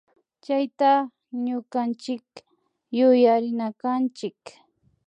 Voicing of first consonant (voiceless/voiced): voiceless